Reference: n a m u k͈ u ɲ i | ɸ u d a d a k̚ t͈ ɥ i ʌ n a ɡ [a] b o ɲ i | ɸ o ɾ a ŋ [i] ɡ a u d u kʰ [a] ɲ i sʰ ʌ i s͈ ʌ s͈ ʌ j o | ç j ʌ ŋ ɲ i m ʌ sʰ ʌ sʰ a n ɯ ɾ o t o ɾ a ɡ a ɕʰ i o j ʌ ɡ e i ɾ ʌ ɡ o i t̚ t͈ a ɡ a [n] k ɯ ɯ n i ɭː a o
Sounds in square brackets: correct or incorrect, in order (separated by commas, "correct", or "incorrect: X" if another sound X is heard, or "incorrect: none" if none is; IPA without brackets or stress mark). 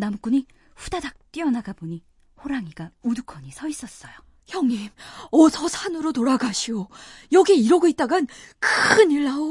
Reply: correct, correct, incorrect: ʌ, correct